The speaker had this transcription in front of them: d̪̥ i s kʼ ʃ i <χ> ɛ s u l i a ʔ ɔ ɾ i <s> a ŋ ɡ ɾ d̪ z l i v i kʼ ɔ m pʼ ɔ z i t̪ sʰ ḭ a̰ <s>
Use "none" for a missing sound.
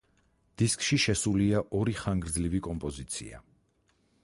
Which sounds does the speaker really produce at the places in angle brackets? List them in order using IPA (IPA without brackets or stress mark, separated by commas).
ʃ, χ, none